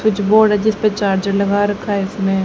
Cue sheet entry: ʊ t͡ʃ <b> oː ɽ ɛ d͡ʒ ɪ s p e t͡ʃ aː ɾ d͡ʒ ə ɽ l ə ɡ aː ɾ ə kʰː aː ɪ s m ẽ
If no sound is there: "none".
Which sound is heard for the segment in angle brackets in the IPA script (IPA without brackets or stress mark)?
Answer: b